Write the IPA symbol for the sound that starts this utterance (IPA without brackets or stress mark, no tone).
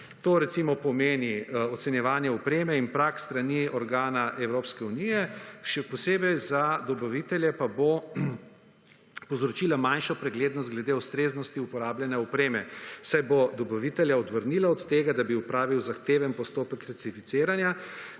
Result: t̪